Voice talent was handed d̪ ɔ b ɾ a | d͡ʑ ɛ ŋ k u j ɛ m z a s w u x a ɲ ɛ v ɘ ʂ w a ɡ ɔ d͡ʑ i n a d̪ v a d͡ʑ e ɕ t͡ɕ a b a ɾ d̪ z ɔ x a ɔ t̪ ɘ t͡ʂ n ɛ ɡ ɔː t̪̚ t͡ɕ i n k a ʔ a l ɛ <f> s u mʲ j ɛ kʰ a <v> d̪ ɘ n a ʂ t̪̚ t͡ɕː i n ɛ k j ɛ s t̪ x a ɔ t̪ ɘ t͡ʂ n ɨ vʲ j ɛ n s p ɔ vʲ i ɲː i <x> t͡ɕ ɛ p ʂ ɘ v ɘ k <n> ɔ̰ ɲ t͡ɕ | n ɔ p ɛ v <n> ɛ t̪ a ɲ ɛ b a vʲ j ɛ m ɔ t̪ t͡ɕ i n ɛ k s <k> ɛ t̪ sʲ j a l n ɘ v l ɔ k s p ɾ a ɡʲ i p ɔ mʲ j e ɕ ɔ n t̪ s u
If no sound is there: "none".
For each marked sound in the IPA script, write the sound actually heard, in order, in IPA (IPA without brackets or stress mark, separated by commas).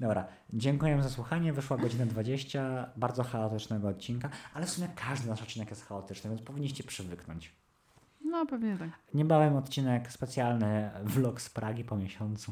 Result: f, ʐ, ɕ, n, ɲ, p